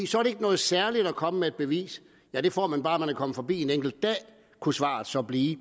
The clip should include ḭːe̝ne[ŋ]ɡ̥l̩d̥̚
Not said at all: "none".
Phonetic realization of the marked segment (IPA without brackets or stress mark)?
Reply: ŋ